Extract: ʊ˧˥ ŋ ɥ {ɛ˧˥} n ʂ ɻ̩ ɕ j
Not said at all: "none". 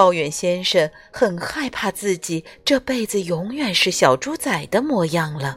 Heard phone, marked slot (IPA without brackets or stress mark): ɛ˨˩